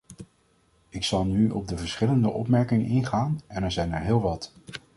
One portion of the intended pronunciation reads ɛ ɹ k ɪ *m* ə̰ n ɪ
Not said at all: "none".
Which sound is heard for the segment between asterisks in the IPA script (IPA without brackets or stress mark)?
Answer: ŋ